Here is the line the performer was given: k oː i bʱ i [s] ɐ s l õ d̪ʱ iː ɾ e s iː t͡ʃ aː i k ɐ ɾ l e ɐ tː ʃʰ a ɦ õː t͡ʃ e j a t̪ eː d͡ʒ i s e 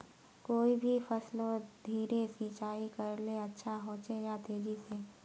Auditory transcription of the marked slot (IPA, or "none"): f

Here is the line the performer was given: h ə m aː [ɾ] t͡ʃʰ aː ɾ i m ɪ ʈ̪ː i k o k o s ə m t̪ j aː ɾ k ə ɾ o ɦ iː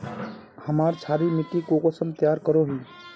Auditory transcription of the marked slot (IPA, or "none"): ɾ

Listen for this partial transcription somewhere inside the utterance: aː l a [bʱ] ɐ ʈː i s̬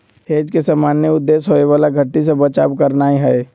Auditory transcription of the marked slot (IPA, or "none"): ɡʱ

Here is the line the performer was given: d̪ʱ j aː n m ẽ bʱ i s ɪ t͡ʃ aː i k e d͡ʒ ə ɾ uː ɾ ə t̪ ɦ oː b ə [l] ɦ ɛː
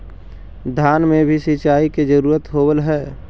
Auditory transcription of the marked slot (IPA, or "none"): l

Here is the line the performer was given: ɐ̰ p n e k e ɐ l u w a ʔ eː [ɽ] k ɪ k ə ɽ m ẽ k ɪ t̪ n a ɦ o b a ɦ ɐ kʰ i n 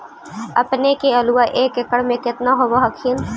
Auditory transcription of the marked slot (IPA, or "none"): none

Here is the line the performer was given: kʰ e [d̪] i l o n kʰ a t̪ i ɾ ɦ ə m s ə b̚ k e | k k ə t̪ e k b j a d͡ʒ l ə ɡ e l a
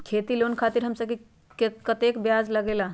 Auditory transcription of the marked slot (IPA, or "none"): t̪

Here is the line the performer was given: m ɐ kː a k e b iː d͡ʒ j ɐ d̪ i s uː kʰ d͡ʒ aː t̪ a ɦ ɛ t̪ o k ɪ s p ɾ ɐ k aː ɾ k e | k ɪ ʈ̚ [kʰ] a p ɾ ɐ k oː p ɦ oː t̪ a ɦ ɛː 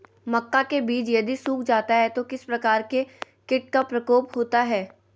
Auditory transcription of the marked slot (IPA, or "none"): k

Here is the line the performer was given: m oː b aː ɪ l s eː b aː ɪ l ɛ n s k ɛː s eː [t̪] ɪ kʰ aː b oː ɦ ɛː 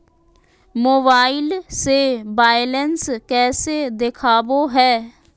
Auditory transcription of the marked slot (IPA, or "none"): d̪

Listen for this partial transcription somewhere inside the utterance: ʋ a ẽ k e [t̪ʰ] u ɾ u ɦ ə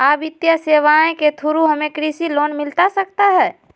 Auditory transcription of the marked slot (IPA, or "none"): t̪ʰ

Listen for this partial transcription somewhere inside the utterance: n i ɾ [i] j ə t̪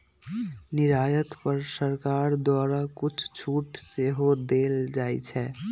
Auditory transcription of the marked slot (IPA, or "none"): a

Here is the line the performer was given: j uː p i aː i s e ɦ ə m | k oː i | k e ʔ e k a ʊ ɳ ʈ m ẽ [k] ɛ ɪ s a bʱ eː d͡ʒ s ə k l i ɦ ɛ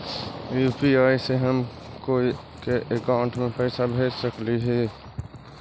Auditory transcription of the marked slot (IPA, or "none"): p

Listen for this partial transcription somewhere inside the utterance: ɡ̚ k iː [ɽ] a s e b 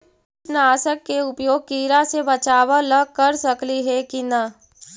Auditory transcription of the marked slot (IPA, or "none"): ɾ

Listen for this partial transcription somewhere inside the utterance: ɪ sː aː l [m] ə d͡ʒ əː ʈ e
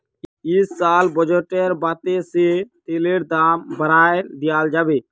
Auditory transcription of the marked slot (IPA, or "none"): b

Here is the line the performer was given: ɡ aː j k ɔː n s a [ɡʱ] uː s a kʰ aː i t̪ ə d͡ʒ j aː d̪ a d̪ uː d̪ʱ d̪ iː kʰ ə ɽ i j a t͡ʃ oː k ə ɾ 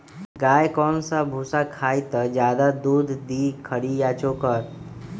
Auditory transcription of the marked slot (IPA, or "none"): bʱ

